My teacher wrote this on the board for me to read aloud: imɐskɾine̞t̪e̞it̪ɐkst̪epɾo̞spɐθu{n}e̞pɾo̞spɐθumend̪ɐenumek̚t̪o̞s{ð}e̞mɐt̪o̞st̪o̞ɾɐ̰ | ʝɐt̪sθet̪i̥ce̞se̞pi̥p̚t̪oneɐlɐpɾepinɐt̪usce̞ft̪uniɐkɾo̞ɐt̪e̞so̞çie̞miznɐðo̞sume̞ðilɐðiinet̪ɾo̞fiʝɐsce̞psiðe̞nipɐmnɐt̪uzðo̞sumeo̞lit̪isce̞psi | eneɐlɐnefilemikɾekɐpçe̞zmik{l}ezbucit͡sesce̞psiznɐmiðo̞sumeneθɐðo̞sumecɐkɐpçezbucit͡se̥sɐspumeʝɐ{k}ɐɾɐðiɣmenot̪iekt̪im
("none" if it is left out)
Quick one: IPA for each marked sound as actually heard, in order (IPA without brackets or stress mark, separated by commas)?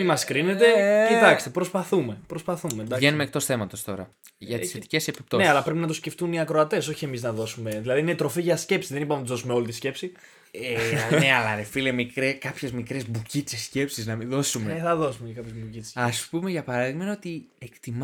m, θ, ɾ, p